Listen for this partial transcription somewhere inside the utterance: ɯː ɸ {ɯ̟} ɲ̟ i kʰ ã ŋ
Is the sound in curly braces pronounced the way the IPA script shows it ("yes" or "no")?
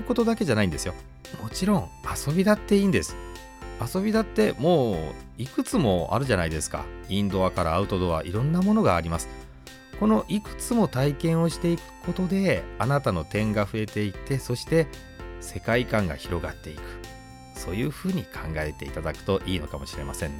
no